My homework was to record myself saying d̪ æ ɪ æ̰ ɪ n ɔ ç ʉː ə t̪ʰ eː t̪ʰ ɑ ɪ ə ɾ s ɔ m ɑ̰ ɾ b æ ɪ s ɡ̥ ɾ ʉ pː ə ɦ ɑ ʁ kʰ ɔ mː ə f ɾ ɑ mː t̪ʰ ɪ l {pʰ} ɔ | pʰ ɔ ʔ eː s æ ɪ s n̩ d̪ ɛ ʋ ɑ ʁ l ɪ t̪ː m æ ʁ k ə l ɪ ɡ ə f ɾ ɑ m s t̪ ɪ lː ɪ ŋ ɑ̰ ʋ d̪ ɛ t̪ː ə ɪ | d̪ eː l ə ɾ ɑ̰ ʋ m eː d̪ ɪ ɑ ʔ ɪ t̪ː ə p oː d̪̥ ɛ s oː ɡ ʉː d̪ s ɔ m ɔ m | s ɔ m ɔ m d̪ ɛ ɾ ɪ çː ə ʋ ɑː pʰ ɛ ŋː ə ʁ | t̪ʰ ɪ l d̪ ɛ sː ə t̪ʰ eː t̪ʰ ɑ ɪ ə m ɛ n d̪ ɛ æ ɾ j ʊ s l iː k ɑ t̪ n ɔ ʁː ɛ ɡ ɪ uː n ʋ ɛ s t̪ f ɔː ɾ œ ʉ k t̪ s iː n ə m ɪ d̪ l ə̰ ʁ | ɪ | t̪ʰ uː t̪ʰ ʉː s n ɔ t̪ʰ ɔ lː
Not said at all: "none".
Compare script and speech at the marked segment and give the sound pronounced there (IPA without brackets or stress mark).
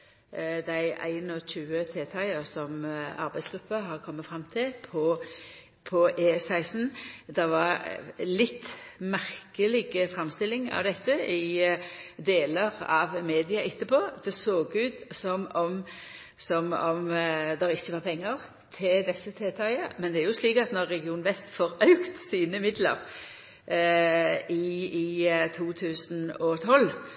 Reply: pʰ